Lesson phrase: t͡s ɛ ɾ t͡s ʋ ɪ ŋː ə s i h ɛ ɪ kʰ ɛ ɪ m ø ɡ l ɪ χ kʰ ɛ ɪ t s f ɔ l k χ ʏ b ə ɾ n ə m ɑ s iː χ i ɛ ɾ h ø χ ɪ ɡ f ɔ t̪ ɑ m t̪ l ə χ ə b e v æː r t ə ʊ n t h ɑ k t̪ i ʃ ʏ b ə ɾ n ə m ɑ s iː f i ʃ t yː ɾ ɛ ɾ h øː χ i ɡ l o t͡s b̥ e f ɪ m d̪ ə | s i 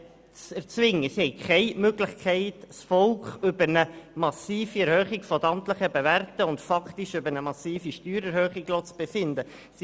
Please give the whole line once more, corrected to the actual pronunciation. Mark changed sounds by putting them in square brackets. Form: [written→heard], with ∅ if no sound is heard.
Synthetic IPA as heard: t͡s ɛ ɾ t͡s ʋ ɪ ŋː ə s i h ɛ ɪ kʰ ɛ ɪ m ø ɡ l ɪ χ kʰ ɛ ɪ t s f ɔ l k χ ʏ b ə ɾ n ə m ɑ s iː [χ→f] i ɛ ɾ h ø χ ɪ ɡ f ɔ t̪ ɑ m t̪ l ə χ ə b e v [æː→æ] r t ə ʊ n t [h→f] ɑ k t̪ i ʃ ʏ b ə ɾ n ə m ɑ s iː f i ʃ t yː ɾ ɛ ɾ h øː χ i ɡ l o t͡s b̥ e f ɪ [m→n] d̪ ə | s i